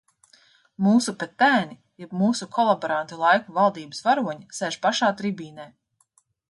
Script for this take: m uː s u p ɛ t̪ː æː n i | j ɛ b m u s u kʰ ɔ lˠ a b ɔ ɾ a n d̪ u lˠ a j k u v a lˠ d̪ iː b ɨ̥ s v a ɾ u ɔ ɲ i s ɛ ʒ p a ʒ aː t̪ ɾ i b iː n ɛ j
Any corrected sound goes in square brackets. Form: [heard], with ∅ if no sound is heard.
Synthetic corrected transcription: m uː s u p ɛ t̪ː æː n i | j ɛ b m [uː] s u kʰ ɔ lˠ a b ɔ ɾ a n [t̪] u lˠ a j k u v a lˠ d̪ iː b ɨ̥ s v a ɾ u ɔ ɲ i s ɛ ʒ p a [ʃ] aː t̪ ɾ i b iː n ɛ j